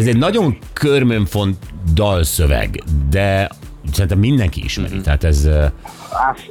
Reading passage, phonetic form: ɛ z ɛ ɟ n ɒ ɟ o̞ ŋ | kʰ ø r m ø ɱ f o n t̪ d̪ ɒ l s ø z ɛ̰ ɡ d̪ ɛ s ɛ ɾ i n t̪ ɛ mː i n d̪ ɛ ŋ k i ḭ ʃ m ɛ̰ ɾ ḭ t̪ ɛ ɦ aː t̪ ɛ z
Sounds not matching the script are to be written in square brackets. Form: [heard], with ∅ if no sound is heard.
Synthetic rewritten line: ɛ z ɛ ɟ n ɒ ɟ o̞ ŋ | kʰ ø r m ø ɱ f o n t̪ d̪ ɒ l s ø [v] ɛ̰ ɡ d̪ ɛ s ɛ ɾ i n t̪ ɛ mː i n d̪ ɛ ŋ k i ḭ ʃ m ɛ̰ ɾ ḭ t̪ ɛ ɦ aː t̪ ɛ z